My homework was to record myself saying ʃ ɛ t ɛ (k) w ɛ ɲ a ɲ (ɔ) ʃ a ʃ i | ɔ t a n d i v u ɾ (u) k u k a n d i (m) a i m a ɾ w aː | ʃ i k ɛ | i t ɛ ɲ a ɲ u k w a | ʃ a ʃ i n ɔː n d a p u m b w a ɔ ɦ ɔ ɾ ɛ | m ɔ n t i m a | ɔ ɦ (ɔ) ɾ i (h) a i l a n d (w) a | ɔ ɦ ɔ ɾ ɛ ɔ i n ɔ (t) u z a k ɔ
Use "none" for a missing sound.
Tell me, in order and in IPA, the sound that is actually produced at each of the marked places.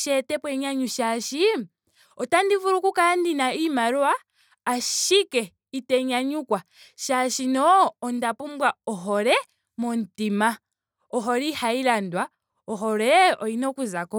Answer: p, u, u, n, ɔ, h, w, k

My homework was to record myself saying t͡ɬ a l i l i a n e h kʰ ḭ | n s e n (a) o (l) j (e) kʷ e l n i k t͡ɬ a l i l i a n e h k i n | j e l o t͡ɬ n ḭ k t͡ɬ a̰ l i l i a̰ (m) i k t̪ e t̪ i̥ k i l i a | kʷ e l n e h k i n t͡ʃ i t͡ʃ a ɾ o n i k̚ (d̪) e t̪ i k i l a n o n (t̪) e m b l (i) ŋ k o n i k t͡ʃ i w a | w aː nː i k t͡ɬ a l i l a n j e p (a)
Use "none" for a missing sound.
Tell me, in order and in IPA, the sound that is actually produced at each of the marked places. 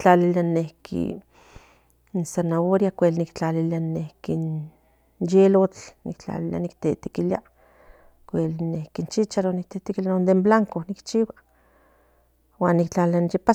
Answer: a, ɾ, a, n, t̪, d̪, a, a

